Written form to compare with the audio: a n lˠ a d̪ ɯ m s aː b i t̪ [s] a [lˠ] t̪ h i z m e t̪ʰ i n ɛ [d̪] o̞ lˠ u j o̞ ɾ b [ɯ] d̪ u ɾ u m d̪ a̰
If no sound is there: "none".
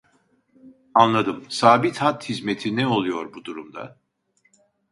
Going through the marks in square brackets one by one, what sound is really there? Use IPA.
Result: h, none, none, u

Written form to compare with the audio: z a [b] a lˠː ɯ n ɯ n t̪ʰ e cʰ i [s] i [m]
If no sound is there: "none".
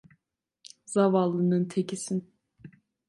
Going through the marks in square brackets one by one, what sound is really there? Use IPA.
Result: v, s, n

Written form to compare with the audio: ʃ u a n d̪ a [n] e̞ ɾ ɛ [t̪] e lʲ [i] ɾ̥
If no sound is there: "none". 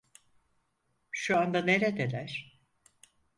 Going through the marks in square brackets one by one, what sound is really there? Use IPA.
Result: n, d̪, æ

